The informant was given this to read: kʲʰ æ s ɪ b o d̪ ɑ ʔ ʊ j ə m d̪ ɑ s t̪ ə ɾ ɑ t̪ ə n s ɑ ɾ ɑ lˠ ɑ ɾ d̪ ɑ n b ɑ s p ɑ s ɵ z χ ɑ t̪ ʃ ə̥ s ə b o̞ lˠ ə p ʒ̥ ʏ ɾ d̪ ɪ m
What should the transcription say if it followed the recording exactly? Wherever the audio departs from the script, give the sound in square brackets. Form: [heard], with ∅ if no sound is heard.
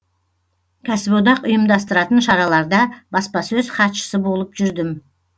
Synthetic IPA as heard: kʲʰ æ s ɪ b o d̪ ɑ [q] ʊ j ə m d̪ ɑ s t̪ ə ɾ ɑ t̪ ə n [ʃ] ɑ ɾ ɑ lˠ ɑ ɾ d̪ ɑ [∅] b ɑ s p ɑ s ɵ z χ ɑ t̪ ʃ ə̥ s ə b o̞ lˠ ə p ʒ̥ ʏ ɾ d̪ ɪ m